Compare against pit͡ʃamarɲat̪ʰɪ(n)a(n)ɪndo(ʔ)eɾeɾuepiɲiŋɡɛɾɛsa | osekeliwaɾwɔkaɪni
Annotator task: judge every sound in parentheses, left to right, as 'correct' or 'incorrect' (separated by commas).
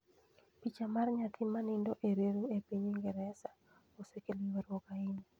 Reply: incorrect, correct, correct